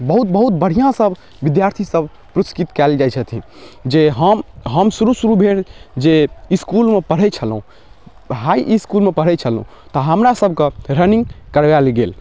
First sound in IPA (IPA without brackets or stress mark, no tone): b